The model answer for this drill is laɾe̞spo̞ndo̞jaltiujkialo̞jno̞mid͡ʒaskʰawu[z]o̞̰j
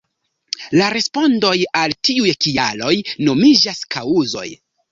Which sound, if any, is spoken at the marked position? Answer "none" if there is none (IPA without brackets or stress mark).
z